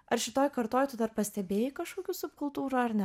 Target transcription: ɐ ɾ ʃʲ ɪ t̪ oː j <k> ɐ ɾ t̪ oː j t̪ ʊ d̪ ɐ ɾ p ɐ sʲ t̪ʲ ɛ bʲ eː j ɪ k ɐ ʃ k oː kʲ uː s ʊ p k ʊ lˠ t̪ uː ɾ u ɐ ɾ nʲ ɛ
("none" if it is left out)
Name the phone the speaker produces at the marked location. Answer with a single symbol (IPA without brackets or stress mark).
k